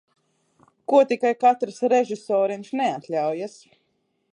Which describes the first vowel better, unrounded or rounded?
rounded